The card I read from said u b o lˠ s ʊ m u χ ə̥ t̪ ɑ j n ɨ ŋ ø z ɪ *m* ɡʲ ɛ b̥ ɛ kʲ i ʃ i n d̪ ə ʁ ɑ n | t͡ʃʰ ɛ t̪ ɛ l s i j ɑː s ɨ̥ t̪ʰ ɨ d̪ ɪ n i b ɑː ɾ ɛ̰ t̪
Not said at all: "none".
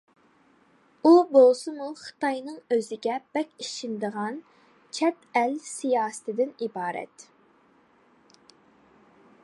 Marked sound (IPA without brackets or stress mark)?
none